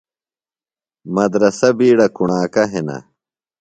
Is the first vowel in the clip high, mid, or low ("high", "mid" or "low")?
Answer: low